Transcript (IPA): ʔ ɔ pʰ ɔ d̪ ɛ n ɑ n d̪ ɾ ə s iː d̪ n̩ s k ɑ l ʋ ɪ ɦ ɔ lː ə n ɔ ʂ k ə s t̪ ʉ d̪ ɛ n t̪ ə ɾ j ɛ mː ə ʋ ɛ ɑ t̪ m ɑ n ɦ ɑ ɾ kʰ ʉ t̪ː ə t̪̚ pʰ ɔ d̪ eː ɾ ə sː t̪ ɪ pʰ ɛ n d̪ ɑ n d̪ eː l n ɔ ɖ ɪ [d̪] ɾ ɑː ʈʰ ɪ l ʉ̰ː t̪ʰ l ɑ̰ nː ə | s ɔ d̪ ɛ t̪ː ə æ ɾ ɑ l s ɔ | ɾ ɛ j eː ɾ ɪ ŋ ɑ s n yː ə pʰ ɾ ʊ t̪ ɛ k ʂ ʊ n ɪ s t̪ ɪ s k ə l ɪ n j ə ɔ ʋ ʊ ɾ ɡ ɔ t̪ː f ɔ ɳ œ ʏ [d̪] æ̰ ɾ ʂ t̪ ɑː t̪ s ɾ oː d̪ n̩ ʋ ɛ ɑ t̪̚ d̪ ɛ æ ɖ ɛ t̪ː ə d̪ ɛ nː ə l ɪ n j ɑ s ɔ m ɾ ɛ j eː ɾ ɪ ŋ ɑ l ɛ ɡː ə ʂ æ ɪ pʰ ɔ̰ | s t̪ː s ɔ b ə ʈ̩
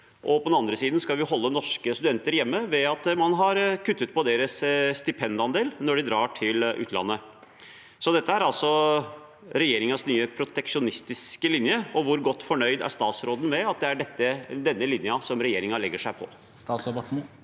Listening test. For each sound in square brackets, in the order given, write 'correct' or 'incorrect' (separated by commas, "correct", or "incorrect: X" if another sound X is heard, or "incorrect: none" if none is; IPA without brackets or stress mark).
correct, correct